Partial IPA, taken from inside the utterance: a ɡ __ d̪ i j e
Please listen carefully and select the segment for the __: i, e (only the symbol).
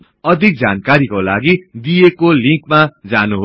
i